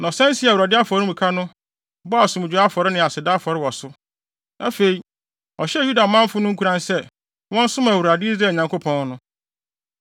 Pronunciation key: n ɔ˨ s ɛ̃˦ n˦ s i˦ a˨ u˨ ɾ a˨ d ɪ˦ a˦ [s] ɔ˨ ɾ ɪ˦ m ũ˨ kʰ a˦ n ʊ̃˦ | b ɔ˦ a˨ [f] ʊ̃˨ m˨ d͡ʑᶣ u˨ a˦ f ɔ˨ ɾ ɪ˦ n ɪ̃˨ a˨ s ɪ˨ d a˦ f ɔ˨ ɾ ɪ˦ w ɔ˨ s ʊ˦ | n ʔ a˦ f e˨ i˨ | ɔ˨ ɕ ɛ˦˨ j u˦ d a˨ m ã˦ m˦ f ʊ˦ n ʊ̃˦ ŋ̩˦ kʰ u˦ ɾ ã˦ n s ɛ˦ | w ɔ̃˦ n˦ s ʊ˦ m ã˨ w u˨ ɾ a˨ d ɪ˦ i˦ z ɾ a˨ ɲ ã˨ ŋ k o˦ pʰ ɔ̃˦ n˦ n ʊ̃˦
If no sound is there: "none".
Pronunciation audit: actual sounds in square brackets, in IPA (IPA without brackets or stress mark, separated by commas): f, s